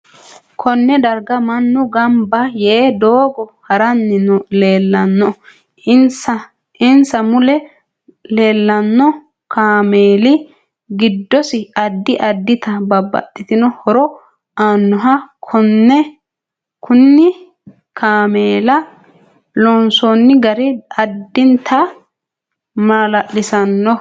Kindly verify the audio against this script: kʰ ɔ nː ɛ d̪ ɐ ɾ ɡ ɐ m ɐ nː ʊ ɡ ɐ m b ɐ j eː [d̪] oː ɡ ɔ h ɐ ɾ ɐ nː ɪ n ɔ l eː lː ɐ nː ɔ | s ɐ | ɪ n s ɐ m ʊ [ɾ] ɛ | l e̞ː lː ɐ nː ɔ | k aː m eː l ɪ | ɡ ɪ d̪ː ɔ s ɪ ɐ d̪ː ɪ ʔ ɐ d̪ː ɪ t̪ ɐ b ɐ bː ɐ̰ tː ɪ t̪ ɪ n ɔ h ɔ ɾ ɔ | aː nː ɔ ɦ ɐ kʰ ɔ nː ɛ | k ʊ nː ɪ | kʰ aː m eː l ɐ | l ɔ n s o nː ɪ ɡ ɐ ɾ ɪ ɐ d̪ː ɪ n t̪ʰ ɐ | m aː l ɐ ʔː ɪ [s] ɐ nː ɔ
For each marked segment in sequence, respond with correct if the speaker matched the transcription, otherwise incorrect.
correct, incorrect: l, correct

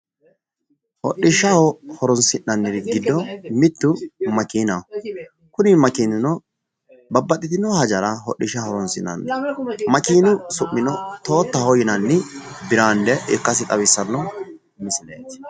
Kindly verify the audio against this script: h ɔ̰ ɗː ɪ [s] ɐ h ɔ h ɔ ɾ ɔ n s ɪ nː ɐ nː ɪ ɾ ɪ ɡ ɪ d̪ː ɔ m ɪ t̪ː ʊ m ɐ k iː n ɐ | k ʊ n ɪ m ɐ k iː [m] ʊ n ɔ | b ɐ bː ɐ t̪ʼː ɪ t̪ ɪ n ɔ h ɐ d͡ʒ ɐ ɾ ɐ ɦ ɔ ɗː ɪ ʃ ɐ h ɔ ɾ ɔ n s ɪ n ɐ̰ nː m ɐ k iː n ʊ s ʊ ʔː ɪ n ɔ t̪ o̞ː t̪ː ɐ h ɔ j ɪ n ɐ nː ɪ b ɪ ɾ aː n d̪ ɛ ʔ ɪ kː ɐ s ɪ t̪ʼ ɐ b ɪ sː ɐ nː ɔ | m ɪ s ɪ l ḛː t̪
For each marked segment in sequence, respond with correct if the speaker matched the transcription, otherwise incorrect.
incorrect: ʃ, incorrect: n

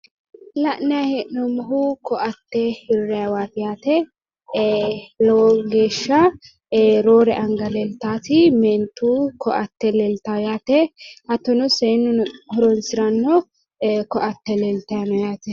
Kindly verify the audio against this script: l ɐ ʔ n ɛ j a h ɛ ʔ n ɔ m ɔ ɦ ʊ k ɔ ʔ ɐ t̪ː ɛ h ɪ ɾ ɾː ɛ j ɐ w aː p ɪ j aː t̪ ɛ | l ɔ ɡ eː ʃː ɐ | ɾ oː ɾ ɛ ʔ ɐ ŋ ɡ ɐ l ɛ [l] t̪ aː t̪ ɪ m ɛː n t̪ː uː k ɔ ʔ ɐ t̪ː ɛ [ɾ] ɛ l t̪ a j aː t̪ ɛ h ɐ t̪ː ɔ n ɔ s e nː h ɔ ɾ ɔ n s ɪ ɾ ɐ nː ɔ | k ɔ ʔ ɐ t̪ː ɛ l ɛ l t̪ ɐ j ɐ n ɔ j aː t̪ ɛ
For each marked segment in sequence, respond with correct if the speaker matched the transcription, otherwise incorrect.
correct, incorrect: l

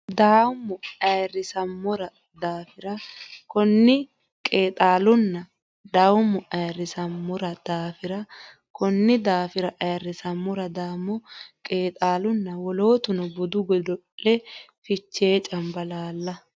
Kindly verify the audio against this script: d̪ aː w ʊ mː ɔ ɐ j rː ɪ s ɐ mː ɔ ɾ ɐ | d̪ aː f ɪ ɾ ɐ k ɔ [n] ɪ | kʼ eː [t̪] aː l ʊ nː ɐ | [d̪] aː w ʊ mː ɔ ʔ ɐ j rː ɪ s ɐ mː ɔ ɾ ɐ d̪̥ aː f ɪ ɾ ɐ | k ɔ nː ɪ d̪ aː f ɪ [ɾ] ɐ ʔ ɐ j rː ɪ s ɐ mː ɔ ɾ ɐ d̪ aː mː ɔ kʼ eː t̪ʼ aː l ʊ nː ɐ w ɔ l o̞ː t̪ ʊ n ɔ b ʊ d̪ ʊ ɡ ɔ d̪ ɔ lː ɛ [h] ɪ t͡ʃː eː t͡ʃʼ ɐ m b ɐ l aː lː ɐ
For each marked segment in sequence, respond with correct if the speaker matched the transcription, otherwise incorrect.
incorrect: nː, incorrect: t̪ʼ, correct, correct, incorrect: f

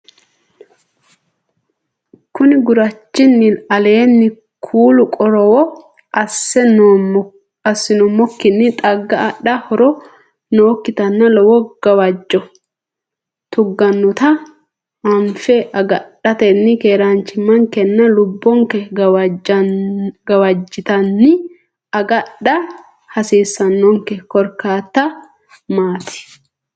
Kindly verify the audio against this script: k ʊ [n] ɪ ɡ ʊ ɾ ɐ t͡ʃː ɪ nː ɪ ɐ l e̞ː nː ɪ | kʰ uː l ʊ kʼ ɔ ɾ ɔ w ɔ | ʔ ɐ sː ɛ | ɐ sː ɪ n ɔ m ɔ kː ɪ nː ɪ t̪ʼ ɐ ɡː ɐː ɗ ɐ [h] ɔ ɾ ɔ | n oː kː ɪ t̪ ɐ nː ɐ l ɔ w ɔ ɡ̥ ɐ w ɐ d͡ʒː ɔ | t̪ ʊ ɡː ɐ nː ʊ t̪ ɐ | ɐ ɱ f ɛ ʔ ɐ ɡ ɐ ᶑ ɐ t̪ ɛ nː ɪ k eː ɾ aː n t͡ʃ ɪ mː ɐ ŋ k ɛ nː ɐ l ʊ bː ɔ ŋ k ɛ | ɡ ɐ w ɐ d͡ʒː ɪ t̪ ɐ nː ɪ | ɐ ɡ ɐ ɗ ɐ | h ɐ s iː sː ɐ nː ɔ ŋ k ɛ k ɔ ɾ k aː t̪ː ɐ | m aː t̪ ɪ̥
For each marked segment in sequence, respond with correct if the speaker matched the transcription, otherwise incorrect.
correct, correct

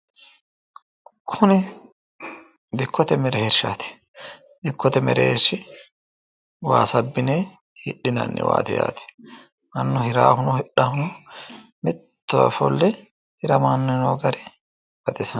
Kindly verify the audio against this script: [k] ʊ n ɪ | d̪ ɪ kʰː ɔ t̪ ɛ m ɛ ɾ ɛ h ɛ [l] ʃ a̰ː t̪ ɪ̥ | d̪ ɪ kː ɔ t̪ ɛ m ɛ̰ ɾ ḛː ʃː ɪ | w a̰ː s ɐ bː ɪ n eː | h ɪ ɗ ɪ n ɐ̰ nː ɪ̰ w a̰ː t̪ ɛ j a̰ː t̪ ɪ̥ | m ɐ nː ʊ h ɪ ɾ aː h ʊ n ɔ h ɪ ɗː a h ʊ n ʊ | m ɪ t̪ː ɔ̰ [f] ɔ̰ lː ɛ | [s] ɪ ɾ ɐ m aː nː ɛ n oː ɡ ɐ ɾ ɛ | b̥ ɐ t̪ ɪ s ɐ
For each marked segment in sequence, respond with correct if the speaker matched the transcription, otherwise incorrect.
incorrect: kʰ, incorrect: ɾ, correct, incorrect: h

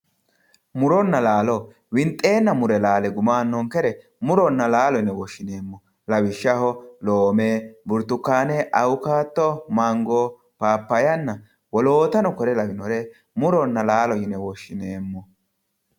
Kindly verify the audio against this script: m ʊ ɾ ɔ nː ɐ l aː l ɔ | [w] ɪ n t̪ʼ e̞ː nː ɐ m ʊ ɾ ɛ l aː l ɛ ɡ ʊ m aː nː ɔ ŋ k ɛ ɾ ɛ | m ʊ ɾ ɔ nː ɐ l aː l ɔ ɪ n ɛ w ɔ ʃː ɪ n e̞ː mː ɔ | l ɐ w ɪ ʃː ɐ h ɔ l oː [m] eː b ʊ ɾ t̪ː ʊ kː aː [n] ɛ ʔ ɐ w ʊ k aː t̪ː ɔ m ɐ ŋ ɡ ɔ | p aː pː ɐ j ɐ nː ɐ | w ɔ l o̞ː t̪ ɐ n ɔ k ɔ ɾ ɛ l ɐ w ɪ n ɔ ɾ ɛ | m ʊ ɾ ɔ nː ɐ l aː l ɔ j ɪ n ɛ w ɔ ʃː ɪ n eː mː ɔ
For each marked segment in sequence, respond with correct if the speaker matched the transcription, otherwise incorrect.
correct, correct, correct

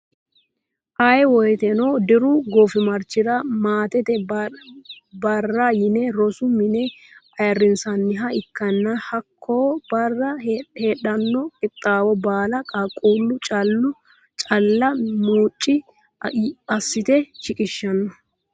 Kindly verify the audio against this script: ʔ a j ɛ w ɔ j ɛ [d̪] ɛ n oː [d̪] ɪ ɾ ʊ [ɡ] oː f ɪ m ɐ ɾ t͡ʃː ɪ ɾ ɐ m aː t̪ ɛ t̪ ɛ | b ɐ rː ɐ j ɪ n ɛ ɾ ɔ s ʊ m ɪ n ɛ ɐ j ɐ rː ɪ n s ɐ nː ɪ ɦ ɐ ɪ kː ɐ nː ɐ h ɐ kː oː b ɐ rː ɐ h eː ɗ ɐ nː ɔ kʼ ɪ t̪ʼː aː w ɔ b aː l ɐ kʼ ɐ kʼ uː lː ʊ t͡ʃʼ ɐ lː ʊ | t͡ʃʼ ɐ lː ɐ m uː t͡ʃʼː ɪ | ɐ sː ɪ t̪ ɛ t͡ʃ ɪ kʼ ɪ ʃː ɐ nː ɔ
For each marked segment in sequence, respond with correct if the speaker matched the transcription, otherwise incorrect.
incorrect: t̪, correct, correct

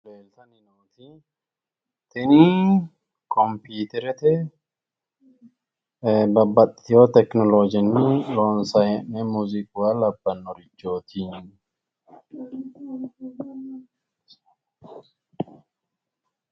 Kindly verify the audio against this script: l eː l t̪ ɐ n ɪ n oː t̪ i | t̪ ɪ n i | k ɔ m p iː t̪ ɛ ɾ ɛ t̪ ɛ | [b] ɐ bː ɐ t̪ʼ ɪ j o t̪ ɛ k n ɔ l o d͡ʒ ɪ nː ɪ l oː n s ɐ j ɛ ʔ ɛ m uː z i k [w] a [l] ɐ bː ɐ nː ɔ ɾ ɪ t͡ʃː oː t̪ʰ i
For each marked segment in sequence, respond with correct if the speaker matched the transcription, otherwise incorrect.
correct, correct, correct

